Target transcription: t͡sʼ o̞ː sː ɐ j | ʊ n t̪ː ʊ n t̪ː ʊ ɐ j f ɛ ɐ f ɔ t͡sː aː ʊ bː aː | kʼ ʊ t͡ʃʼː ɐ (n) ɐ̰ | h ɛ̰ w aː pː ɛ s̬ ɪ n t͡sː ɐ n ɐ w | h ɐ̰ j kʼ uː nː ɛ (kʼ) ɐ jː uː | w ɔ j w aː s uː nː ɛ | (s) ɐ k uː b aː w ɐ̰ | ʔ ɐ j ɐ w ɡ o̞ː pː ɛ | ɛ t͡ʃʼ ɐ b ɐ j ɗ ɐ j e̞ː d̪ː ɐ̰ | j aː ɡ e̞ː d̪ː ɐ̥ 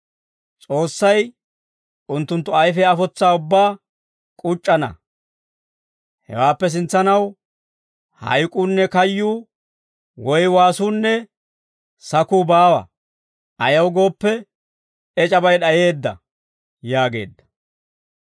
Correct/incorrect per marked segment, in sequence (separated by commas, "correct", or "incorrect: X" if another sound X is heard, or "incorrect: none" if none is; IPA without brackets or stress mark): correct, incorrect: k, correct